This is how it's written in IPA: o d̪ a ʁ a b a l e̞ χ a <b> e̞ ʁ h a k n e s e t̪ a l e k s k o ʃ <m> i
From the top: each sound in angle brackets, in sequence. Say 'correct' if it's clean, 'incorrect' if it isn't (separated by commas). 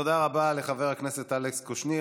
incorrect, incorrect